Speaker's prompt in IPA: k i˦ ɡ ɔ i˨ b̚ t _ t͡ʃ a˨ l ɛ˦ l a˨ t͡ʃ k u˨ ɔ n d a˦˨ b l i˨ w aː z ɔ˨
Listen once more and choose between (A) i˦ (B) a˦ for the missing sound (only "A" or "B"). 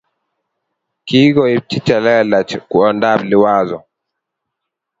A